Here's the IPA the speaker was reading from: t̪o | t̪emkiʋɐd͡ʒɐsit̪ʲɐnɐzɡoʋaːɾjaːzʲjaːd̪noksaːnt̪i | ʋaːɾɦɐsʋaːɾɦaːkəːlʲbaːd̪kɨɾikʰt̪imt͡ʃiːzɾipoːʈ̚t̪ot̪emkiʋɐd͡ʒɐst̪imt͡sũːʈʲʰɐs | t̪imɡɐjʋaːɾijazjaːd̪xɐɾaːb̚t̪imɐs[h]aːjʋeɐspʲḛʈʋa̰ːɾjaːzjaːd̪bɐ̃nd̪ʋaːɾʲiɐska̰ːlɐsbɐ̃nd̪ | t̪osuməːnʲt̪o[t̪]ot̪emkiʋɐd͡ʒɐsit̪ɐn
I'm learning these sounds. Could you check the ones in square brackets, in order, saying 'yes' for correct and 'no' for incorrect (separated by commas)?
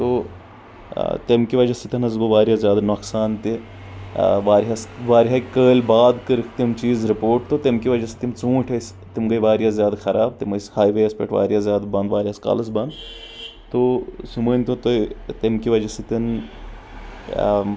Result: yes, yes